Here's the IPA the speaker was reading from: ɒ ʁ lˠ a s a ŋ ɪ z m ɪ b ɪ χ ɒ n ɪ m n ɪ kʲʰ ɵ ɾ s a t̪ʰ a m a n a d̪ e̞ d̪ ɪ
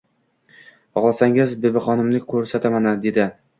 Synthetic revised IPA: ɒ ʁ lˠ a s a ŋ ɪ z b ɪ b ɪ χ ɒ n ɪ m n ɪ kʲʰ ɵ ɾ s a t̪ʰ a m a n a d̪ e̞ d̪ ɪ